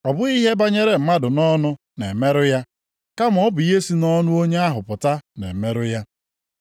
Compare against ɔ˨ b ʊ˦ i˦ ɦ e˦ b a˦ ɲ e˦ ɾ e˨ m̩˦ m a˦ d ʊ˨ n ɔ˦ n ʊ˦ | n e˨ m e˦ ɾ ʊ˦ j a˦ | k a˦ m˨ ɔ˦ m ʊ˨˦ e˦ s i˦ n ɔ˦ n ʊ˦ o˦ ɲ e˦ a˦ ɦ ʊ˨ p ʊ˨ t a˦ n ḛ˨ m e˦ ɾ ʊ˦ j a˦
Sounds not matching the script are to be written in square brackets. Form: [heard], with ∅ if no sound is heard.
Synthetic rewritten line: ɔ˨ b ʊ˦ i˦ ɦ e˦ b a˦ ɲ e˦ ɾ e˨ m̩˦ m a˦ d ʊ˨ n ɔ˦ n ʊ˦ | n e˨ m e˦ ɾ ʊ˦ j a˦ | k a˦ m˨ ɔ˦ [b] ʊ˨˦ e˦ s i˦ n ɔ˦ n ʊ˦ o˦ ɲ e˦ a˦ ɦ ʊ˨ p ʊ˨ t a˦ n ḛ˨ m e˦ ɾ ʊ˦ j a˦